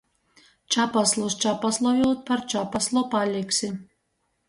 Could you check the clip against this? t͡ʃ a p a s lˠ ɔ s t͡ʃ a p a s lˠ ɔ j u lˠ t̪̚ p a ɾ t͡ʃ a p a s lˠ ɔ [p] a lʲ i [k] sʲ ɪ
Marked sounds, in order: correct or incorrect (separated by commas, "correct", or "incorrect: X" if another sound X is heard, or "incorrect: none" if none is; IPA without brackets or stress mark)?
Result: correct, correct